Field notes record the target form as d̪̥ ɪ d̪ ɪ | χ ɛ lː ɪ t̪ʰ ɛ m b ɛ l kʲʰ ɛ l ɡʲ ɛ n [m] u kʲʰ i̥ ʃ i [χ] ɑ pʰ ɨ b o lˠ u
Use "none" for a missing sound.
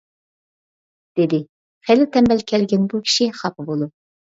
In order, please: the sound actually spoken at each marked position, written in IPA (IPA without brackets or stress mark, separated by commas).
b, χ